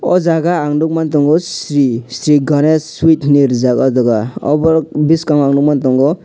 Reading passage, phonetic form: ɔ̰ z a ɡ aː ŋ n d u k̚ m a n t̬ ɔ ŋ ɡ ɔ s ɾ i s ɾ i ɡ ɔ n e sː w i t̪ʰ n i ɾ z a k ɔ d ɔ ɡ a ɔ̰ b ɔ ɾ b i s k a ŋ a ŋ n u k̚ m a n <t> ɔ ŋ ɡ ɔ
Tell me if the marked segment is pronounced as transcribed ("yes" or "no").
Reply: yes